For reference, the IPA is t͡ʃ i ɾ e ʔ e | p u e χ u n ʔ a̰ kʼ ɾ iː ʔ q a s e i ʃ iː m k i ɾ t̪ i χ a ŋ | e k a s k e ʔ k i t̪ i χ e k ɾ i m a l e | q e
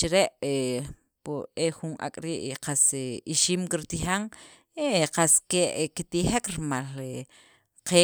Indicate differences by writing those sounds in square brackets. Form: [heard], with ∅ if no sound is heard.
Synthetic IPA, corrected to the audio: t͡ʃ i ɾ e ʔ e | p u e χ u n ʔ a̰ kʼ ɾ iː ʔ q a s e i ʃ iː m k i ɾ t̪ i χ a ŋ | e [q] a s k e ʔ k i t̪ i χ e k ɾ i m a l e | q e